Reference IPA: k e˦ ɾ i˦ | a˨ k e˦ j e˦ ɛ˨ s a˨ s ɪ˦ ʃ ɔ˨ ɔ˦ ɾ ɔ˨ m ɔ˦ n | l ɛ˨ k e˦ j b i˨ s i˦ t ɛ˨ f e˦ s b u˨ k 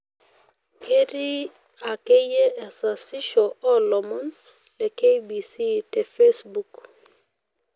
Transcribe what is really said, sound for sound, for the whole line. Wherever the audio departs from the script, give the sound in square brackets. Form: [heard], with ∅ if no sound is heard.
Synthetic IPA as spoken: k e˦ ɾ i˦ | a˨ k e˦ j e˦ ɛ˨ s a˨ s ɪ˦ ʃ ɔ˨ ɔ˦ [l] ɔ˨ m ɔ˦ n | l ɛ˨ k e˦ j b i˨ s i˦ t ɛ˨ f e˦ s b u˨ k